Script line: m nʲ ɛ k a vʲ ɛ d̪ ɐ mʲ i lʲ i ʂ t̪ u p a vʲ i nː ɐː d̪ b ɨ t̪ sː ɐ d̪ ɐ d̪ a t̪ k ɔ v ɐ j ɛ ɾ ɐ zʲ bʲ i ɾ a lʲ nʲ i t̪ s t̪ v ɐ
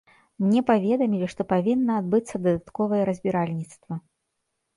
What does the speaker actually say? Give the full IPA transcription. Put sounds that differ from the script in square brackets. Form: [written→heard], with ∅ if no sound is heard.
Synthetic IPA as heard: m nʲ ɛ [k→p] a vʲ ɛ d̪ ɐ mʲ i lʲ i ʂ t̪ [u→ɔ] p a vʲ i nː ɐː d̪ b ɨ t̪ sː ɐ d̪ ɐ d̪ a t̪ k ɔ v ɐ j ɛ ɾ ɐ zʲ bʲ i ɾ a lʲ nʲ i t̪ s t̪ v ɐ